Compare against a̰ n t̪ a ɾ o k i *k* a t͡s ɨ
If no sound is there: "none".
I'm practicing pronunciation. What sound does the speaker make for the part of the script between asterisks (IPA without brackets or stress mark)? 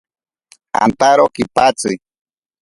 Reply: p